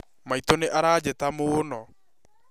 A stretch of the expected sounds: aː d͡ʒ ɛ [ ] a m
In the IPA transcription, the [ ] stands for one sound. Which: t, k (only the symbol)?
t